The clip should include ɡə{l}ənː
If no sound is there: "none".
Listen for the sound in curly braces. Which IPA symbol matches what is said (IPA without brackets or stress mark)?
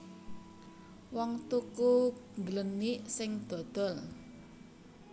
l